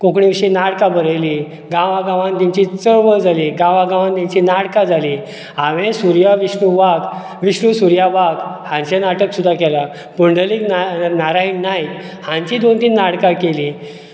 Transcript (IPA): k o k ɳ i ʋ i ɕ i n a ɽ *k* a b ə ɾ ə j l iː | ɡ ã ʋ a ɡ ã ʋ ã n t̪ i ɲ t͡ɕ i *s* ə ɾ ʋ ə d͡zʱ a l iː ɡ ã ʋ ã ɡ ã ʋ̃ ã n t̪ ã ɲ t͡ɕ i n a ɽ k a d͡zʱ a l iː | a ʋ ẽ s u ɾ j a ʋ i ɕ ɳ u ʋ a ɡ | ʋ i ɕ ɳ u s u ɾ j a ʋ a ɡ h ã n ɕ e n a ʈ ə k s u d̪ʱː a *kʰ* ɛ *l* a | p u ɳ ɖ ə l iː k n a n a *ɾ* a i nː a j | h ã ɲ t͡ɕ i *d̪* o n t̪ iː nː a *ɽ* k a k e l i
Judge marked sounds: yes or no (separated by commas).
yes, no, no, yes, yes, yes, yes